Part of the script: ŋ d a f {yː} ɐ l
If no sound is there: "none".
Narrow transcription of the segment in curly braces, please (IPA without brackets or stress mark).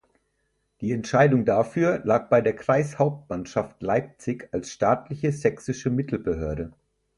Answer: yː